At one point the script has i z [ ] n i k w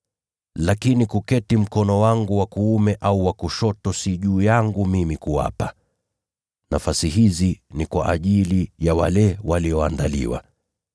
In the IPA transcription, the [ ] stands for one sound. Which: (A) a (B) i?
B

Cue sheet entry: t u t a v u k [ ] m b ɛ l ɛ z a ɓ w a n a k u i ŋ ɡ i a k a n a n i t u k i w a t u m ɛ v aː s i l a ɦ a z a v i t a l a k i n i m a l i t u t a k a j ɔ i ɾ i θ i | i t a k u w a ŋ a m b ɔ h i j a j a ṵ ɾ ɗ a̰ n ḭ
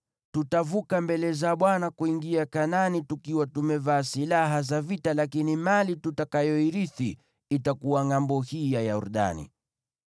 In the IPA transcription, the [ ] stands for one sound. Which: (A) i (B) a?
B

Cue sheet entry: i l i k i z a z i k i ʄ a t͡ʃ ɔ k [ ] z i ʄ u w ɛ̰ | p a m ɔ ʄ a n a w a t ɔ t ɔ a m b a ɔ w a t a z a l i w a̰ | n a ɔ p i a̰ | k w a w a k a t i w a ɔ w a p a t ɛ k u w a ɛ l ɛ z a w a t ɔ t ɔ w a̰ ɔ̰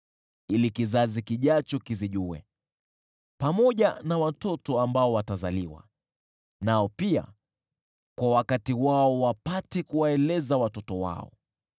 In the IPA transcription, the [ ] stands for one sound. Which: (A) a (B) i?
B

